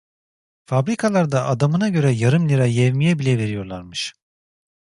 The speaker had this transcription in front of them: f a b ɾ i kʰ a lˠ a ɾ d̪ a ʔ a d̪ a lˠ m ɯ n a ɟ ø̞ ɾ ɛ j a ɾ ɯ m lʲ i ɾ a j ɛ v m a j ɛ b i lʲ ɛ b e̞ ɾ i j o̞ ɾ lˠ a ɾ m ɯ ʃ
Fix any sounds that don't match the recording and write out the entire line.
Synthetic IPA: f a b ɾ i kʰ a lˠ a ɾ d̪ a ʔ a d̪ a m ɯ n a ɟ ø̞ ɾ ɛ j a ɾ ɯ m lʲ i ɾ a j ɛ v m i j ɛ b i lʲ ɛ v e̞ ɾ i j o̞ ɾ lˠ a ɾ m ɯ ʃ